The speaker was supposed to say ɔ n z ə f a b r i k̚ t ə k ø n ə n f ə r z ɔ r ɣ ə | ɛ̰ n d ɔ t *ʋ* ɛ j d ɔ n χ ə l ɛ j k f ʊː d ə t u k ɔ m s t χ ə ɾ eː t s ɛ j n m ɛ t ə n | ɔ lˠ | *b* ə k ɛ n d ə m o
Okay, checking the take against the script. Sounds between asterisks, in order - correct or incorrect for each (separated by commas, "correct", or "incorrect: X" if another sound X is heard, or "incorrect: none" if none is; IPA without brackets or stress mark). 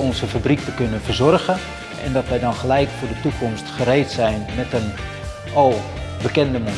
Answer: correct, correct